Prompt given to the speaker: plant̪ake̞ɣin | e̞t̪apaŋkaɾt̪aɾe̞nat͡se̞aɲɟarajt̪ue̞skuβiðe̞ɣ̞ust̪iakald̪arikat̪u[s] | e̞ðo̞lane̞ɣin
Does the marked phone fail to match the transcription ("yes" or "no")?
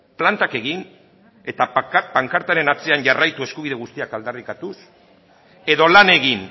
no